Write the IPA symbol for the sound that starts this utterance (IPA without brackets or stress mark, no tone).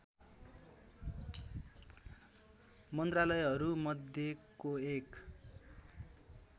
m